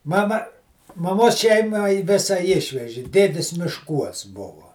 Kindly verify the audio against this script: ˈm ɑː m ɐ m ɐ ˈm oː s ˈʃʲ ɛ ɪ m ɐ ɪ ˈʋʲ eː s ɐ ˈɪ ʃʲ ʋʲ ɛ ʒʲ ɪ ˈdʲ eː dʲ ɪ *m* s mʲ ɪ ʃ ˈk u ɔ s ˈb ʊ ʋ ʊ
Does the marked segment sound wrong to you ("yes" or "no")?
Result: yes